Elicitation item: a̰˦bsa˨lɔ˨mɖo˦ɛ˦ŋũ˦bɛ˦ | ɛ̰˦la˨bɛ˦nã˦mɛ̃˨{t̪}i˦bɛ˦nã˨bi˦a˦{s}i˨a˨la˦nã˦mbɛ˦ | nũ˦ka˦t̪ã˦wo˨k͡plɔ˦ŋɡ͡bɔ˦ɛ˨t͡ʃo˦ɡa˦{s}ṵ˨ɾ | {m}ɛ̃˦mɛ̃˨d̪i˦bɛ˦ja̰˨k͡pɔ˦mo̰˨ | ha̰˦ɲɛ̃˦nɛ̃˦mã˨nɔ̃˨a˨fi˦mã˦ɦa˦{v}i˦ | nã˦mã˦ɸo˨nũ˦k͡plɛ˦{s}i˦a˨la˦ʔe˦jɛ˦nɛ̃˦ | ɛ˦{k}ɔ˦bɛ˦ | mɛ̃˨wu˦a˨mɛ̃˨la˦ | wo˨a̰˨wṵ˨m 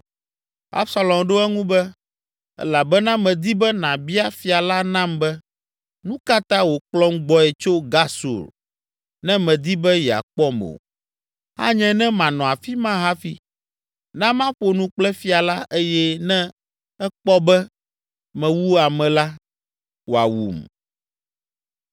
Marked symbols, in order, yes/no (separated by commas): no, no, yes, no, no, no, no